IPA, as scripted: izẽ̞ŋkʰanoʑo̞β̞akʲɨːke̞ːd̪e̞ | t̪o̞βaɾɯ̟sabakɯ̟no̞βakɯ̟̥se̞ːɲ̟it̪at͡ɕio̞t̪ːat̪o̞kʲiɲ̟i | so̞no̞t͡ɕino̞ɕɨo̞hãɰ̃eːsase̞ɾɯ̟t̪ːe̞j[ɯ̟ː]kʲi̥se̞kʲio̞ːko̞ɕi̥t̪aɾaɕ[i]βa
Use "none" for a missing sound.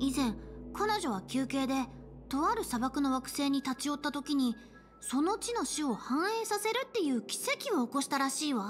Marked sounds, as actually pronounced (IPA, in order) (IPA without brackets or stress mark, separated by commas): ɯ̟ː, iː